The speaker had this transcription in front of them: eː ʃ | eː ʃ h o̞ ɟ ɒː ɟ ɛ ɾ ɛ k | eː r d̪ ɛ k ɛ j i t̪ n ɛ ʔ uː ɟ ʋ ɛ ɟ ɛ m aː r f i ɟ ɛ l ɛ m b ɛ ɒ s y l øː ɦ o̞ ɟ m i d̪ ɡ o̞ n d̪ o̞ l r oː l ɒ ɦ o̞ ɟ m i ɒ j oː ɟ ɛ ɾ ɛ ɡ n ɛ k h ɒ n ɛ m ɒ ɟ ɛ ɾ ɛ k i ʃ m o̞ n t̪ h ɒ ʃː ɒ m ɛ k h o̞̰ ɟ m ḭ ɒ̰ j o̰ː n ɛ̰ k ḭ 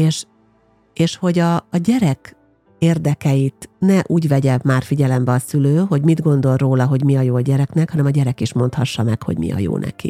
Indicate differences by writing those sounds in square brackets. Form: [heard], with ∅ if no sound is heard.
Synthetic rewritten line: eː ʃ | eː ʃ h o̞ ɟ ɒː ɟ ɛ ɾ ɛ k | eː r d̪ ɛ k ɛ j i t̪ n ɛ ʔ uː ɟ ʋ ɛ ɟ ɛ m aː r f i ɟ ɛ l ɛ m b ɛ ɒ s y l øː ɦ o̞ ɟ m i d̪ ɡ o̞ n d̪ o̞ l r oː l ɒ ɦ o̞ ɟ m i ɒ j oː ɟ ɛ ɾ ɛ [k] n ɛ k h ɒ n ɛ m ɒ ɟ ɛ ɾ ɛ k i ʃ m o̞ n t̪ h ɒ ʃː ɒ m ɛ k h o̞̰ ɟ m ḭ ɒ̰ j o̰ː n ɛ̰ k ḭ